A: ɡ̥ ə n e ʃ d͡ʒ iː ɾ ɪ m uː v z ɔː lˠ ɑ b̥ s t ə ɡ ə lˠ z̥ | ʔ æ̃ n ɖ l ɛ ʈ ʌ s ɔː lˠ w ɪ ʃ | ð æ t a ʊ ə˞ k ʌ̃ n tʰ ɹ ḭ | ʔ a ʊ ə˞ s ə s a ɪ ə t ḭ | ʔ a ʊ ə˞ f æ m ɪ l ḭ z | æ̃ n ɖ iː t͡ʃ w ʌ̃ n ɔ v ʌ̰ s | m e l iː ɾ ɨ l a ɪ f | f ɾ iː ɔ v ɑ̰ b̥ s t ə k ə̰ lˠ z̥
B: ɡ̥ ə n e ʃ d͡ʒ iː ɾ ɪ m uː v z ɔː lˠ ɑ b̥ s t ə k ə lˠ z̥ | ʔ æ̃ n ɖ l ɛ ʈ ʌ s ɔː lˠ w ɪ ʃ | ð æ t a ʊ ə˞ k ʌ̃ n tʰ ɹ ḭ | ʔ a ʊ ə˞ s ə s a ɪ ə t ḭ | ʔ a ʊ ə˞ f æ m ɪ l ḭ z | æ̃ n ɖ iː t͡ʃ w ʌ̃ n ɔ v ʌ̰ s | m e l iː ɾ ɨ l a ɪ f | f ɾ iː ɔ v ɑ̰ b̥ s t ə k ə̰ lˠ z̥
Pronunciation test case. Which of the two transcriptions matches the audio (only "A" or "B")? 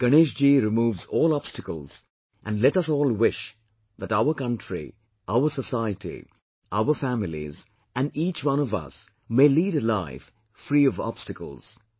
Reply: B